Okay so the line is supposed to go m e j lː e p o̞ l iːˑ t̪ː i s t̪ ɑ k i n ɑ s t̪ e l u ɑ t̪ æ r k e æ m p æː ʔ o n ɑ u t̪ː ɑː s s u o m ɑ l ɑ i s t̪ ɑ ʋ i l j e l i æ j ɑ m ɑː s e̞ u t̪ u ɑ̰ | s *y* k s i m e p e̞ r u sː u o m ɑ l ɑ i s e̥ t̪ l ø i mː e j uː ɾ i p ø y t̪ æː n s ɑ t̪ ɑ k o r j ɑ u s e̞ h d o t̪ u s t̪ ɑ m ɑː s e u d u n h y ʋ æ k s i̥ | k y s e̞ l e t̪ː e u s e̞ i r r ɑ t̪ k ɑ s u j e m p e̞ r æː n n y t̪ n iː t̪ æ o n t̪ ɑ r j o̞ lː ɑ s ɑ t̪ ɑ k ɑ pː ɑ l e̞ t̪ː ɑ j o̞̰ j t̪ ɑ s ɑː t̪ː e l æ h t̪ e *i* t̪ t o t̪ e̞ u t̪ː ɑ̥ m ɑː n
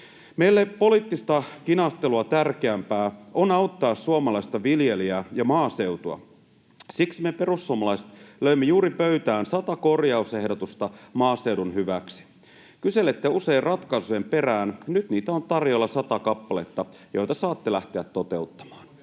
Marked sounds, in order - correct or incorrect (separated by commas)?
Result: incorrect, incorrect